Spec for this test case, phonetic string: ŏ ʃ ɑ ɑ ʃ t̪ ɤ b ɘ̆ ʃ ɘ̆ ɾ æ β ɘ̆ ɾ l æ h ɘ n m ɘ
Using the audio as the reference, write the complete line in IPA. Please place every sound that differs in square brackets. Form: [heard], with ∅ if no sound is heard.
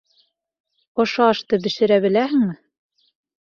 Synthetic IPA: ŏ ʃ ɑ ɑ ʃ t̪ ɤ b ɘ̆ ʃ ɘ̆ ɾ æ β ɘ̆ [∅] l æ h ɘ [ŋ] m ɘ